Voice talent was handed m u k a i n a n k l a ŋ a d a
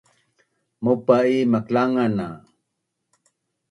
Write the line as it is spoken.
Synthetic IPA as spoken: m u p a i m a k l a ŋ a n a